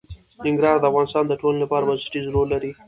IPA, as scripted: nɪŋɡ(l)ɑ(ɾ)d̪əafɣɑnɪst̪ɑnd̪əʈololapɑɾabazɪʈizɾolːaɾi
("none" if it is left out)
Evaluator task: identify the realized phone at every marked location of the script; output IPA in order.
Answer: ɾ, ɾ

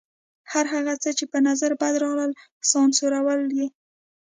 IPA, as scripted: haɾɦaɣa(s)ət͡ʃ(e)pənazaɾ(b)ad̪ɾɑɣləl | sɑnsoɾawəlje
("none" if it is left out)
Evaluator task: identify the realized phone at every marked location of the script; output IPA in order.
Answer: t͡s, e, b

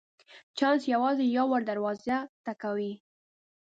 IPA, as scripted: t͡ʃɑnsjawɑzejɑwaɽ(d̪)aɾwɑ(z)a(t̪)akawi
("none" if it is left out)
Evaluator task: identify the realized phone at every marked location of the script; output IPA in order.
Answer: d̪, z, t̪

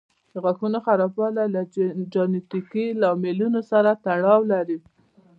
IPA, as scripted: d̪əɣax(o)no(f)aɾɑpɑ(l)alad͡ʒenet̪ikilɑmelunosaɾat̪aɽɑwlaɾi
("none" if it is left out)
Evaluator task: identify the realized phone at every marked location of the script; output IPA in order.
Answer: u, x, l

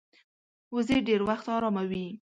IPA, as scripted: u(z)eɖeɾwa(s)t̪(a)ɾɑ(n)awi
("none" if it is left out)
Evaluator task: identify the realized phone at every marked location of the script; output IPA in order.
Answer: z, x, ɑ, m

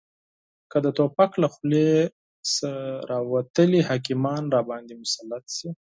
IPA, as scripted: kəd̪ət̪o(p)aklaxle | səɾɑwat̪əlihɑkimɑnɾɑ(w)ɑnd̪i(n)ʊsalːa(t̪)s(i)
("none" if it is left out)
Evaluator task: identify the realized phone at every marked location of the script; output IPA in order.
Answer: p, b, m, t̪, i

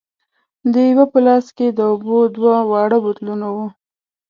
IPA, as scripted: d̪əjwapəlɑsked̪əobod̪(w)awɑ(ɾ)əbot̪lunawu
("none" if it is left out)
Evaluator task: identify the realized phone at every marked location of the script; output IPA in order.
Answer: w, ɽ

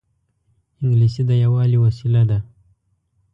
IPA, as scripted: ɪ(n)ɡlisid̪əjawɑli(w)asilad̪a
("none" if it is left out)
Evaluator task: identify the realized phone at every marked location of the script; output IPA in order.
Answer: ŋ, w

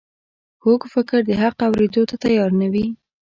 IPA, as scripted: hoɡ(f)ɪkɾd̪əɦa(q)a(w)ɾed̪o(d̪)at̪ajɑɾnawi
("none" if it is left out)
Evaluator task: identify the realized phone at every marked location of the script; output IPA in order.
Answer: f, q, w, t̪

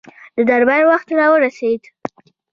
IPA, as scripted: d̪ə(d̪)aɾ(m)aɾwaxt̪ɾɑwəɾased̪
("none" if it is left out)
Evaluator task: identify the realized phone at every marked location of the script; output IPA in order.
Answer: d̪, b

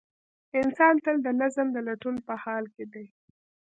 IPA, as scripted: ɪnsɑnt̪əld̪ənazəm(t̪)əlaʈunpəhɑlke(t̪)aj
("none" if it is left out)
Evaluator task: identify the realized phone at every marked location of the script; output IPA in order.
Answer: d̪, d̪

